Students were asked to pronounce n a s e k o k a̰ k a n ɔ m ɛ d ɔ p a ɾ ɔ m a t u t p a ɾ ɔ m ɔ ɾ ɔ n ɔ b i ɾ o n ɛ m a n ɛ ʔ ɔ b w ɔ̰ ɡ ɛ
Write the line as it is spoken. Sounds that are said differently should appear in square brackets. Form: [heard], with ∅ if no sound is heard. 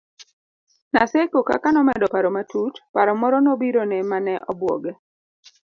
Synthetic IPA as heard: n a s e k o k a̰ k a n ɔ m ɛ d ɔ p a ɾ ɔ m a t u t p a ɾ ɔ m ɔ ɾ ɔ n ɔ b i ɾ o n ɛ m a n ɛ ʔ ɔ b w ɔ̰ ɡ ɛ